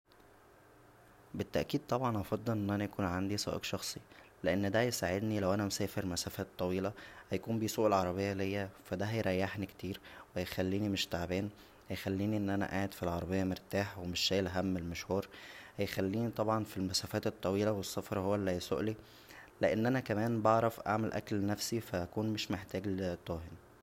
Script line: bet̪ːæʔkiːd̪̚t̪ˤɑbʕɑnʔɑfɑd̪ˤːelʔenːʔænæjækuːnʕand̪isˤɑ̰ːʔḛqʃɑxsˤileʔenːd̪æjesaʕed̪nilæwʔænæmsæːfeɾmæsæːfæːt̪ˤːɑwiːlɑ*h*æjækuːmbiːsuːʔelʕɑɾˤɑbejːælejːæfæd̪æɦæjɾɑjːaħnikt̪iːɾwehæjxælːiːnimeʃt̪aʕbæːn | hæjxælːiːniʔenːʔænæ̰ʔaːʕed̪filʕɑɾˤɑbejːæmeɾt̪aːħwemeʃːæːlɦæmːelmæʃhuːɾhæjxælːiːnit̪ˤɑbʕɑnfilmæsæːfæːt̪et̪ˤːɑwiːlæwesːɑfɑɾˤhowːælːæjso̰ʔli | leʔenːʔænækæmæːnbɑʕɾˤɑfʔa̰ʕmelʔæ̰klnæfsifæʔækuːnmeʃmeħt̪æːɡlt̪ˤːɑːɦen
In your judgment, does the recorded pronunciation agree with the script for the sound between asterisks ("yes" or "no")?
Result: yes